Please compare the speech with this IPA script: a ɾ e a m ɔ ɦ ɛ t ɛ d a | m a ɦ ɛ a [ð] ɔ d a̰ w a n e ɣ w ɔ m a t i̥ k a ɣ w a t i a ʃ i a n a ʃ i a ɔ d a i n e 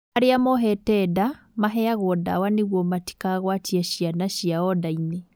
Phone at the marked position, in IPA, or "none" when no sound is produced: ɣ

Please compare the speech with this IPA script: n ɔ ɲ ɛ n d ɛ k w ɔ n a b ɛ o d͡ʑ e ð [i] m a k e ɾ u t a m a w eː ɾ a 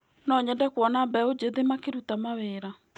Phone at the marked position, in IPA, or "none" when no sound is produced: e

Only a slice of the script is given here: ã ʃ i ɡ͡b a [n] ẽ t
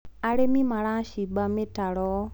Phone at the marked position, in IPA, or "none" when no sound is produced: m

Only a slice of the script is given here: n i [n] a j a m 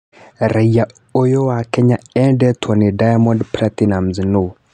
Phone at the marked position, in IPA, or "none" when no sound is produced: d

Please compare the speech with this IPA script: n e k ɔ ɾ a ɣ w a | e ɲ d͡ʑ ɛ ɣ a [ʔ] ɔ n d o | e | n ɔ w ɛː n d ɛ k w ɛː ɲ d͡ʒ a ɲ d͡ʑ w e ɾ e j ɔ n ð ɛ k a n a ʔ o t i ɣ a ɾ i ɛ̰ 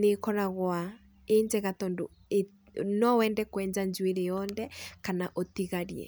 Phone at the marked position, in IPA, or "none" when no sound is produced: t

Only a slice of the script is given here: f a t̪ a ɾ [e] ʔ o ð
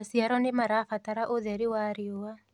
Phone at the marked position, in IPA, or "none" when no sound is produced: a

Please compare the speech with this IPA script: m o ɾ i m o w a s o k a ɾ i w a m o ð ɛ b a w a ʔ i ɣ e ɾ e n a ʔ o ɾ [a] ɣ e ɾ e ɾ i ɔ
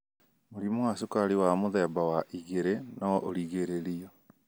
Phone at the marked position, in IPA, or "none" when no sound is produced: i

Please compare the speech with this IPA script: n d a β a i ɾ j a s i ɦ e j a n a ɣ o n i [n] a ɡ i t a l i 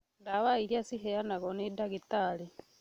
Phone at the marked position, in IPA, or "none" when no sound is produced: d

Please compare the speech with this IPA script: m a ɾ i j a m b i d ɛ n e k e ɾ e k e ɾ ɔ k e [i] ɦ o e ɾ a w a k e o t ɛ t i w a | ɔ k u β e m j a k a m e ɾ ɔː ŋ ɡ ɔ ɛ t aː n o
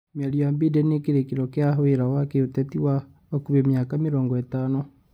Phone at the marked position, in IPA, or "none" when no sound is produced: a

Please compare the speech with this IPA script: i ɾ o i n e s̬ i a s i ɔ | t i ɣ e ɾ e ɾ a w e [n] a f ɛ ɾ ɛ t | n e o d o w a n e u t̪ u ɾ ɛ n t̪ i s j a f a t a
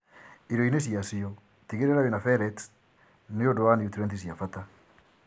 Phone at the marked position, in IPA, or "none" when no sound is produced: n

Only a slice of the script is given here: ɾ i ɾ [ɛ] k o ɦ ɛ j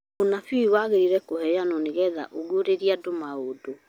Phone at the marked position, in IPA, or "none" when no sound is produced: ɛ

